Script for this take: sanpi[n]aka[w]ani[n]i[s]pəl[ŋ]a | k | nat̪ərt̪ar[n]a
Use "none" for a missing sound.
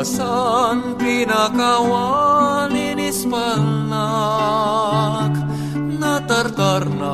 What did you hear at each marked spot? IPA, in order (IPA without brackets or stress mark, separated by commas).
n, w, n, s, n, n